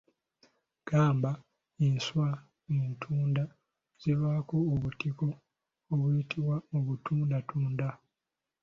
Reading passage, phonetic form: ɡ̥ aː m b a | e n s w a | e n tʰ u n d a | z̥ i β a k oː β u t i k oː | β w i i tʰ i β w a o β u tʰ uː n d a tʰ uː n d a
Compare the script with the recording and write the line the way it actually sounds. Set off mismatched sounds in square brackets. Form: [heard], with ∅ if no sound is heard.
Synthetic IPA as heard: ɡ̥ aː m b a | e n s w a | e n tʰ [uː] n d a | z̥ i β a k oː β u t i k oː | β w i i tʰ i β w a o β u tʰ uː n d a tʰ uː n d a